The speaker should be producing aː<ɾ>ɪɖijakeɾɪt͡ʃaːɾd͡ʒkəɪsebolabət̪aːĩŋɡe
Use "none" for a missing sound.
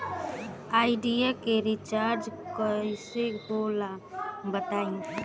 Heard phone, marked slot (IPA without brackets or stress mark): none